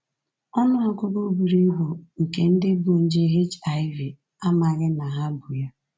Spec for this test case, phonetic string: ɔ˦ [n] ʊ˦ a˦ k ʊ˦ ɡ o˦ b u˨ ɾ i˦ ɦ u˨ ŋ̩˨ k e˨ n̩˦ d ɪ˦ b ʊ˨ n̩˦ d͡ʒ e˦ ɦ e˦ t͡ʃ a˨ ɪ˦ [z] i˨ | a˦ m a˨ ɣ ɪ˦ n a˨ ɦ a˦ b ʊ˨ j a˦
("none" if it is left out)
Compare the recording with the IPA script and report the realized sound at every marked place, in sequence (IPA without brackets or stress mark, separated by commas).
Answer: n, v